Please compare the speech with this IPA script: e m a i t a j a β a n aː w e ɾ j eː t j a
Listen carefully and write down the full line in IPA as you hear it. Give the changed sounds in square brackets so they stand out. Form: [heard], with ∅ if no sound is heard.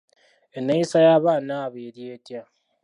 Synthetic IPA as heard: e [n] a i [s] a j a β a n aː [β] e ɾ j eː t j a